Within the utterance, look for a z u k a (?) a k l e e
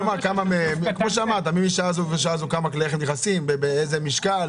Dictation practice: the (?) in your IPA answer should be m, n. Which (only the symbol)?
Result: m